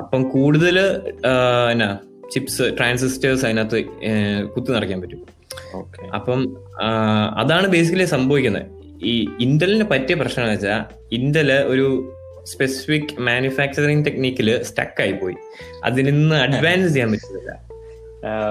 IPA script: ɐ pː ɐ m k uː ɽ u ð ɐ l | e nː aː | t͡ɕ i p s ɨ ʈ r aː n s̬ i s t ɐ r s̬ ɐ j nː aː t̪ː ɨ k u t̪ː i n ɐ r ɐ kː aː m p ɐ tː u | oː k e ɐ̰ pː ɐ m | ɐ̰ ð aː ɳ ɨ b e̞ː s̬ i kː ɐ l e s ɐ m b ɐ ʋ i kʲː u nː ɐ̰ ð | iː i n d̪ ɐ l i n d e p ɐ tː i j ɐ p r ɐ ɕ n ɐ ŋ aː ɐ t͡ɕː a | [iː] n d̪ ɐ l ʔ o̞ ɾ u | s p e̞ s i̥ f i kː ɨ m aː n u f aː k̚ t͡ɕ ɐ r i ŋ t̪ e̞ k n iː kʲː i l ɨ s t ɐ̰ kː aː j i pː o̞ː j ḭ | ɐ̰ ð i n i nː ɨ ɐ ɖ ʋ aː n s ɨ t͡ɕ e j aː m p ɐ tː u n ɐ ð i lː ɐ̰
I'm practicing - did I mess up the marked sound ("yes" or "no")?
yes